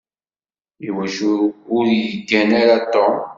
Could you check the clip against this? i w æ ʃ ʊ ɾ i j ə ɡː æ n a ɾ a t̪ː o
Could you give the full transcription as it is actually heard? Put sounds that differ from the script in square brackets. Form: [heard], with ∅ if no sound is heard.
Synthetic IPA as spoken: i w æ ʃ ʊ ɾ [j] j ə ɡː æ n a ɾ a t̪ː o

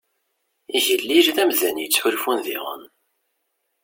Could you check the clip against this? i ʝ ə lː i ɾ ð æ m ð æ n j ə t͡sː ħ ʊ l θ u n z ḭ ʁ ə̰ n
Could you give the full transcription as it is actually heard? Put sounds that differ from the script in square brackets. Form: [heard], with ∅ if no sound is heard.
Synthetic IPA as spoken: i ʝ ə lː i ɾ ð æ m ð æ n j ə t͡sː ħ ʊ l [f] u n [ð] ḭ ʁ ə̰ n

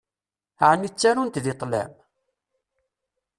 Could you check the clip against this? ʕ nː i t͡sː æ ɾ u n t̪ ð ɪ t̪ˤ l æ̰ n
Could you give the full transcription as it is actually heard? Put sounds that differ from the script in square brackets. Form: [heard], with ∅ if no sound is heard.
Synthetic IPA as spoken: ʕ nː i t͡sː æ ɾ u n t̪ ð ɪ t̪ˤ l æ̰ [m]

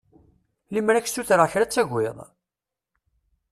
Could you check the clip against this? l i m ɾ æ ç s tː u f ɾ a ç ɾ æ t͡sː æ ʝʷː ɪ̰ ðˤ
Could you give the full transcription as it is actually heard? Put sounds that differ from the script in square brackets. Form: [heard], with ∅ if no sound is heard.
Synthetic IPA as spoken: l i m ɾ æ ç s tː u [θ] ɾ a ç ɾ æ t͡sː æ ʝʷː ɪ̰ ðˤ

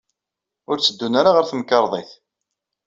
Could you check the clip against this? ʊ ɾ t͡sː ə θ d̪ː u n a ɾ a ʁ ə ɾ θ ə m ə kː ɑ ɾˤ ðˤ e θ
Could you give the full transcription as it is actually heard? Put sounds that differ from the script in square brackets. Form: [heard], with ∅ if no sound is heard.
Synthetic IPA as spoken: ʊ ɾ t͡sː ə [∅] d̪ː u n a ɾ a ʁ ə ɾ θ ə m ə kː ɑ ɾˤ ðˤ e θ

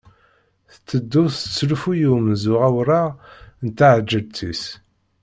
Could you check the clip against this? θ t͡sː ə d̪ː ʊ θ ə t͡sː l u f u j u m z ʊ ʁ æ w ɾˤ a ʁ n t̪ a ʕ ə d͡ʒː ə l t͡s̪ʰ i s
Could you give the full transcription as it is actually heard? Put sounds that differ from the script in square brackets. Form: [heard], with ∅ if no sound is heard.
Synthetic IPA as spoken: θ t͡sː ə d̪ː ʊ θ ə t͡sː l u f u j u m z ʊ ʁ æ w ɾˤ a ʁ n t̪ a ʕ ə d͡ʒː ə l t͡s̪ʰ i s

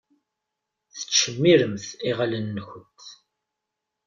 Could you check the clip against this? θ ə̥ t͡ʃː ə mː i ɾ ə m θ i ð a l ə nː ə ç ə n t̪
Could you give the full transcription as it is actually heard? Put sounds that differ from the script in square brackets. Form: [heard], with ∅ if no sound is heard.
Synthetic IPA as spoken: θ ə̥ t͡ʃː ə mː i ɾ ə m θ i [ʁ] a l ə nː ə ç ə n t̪

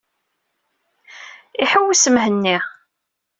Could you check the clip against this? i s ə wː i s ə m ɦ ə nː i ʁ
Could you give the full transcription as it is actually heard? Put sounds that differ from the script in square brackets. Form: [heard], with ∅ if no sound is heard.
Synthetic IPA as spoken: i [ħ] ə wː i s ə m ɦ ə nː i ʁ

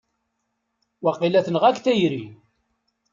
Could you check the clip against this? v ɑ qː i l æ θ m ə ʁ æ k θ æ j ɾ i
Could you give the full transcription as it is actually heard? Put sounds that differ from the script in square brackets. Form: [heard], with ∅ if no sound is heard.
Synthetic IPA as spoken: [w] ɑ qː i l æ θ [n] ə ʁ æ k θ æ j ɾ i

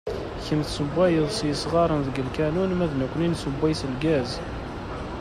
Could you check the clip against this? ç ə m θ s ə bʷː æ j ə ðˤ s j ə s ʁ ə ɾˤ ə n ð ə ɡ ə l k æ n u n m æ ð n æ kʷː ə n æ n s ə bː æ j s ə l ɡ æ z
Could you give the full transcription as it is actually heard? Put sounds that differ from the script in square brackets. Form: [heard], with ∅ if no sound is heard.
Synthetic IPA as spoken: ç ə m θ s ə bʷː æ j ə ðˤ s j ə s ʁ [ɑ] ɾˤ ə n ð ə ɡ ə l k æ n u n m æ ð n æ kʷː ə n [i] n s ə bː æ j s ə l ɡ æ z

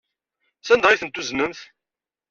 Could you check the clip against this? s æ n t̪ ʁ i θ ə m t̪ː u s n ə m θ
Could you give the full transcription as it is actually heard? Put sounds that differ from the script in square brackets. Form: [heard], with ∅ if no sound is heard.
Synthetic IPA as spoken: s æ n [d̪] ʁ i θ ə [n] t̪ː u [z] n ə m θ

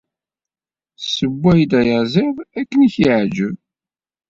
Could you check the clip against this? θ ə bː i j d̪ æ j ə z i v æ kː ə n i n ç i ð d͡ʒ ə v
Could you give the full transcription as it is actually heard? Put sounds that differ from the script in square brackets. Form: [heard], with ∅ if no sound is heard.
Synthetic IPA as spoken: [s] ə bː [æ] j d̪ æ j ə z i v æ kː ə n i [∅] ç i [ʕ] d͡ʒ ə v

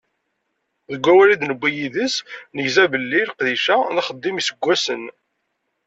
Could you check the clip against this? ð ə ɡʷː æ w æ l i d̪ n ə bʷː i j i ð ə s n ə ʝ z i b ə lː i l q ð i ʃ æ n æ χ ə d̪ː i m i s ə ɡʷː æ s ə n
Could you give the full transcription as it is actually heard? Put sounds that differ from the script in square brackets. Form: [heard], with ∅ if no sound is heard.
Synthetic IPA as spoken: ð ə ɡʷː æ w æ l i d̪ n ə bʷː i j i ð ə s n ə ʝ z [æ] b ə lː i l q ð i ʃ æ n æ χ ə d̪ː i m i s ə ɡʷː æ s ə n

